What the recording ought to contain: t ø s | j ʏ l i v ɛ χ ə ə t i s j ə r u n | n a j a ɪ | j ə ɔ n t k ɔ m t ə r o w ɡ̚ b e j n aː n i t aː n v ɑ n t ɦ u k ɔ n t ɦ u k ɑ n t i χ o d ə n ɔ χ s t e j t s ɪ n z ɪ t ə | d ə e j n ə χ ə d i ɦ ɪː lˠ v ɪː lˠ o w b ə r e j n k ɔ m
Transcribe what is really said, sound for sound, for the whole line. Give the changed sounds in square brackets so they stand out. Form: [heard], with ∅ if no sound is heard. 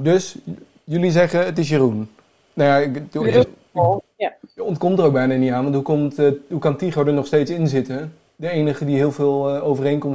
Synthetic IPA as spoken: [d] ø s | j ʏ l i [z] ɛ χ ə ə t [ɪ] s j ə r u n | n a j a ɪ | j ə ɔ n t k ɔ m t ə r o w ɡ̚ b [ɛ] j n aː n i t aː n [ʋ] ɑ n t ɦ u k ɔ [m] t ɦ u k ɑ n t i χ o d ə n ɔ χ s t e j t s ɪ n z ɪ t ə | d ə e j n ə χ ə d i ɦ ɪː lˠ v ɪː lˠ o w [v] ə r e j n k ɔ m